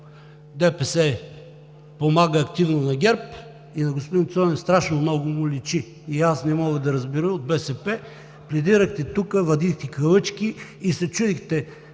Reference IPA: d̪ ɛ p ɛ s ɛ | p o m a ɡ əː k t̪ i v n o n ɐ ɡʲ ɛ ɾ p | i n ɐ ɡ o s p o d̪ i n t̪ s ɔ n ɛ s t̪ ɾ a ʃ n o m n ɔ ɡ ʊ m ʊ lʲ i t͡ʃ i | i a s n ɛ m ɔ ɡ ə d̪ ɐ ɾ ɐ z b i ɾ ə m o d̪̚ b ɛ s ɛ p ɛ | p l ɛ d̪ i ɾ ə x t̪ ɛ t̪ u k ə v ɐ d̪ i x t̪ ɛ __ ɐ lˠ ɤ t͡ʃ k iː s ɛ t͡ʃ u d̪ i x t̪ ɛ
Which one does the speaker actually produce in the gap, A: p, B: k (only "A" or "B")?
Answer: B